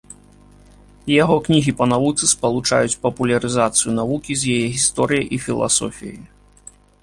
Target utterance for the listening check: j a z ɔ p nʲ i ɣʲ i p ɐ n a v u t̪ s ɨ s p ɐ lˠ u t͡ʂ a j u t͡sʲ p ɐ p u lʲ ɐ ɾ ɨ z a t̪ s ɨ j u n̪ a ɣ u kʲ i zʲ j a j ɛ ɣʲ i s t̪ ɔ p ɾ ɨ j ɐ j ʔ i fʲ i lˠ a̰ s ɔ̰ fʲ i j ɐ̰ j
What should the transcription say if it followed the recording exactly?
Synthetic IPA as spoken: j a ɣ ɔ k nʲ i ɣʲ i p ɐ n a v u t̪ s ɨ s p ɐ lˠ u t͡ʂ a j u t͡sʲ p ɐ p u lʲ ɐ ɾ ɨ z a t̪ s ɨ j u n̪ a v u kʲ i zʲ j a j ɛ ɣʲ i s t̪ ɔ ɾ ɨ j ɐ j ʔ i fʲ i lˠ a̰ s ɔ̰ fʲ i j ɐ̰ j